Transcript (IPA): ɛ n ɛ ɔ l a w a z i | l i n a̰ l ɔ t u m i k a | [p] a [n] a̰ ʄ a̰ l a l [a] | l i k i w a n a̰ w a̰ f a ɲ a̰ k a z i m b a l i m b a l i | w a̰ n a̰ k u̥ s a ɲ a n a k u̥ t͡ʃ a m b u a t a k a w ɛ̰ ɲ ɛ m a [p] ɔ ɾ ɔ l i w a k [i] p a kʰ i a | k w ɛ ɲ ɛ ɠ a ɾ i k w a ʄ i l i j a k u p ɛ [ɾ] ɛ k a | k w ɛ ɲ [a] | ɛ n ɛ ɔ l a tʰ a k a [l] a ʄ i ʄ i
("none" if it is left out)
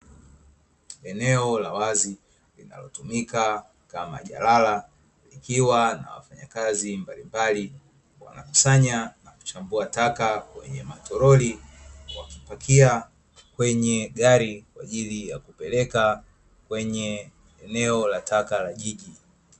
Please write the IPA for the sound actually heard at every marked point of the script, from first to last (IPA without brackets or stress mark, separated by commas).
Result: k, m, a, t, i, l, ɛ, l